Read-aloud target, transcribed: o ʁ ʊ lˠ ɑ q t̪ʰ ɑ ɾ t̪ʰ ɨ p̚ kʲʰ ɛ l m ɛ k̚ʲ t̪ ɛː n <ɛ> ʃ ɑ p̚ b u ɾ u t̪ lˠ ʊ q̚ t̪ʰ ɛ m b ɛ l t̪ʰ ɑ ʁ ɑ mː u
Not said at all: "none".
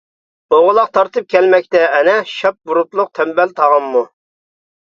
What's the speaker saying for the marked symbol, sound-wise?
ɛ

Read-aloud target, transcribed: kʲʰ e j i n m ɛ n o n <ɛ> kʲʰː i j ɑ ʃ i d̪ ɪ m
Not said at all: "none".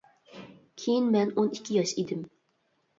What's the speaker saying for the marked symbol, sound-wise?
i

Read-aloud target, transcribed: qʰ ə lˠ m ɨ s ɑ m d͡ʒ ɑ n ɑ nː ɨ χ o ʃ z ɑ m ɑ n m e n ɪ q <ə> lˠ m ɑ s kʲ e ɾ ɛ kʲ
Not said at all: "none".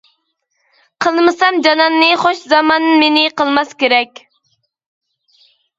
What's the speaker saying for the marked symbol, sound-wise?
ə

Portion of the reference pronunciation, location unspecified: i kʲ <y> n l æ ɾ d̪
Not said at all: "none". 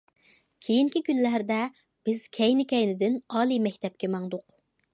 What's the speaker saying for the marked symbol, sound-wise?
y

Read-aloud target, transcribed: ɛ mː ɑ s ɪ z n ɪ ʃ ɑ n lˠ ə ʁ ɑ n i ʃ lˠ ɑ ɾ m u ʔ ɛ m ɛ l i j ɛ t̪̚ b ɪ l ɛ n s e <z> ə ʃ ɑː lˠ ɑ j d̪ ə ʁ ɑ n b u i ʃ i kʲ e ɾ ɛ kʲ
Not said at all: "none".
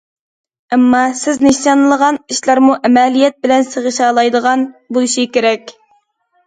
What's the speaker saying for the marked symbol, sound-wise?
ʁ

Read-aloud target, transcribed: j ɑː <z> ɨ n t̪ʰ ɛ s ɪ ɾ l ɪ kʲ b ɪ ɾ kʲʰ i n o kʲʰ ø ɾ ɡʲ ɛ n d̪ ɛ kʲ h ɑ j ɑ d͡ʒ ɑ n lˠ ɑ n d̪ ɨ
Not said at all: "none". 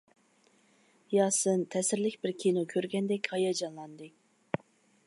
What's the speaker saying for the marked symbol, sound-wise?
s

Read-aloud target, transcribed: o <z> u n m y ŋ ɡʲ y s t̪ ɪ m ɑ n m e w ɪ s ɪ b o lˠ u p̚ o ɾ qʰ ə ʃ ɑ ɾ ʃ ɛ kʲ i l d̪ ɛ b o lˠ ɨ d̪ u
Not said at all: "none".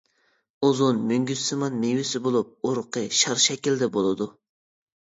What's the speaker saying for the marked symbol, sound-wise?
z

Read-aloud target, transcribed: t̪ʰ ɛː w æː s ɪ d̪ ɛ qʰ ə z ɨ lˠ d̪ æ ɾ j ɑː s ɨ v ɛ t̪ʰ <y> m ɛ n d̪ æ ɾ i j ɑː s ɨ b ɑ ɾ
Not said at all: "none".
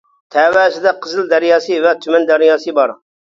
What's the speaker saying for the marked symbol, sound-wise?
y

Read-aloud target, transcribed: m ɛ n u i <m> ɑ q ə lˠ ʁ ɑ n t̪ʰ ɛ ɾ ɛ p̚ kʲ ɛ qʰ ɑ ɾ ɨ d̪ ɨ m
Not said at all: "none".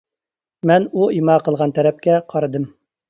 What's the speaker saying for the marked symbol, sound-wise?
m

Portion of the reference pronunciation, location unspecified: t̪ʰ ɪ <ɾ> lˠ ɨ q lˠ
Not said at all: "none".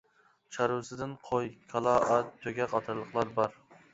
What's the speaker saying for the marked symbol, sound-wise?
ɾ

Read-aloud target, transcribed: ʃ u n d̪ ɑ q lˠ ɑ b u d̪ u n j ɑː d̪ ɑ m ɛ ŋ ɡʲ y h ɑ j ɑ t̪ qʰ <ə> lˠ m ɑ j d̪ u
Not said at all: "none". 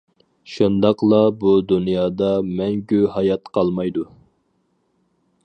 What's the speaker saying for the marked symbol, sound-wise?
ɑ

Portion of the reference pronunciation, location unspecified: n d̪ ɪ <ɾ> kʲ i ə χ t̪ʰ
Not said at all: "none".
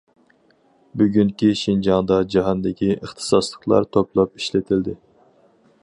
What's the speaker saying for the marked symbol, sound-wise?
none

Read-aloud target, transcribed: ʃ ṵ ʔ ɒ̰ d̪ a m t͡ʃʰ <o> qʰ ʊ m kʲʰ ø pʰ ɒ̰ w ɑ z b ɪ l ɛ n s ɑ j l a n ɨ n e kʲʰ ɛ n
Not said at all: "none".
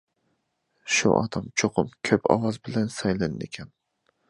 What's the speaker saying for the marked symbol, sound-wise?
o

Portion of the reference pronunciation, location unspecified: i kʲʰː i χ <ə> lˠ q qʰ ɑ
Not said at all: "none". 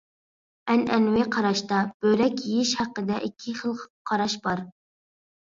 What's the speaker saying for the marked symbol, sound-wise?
ə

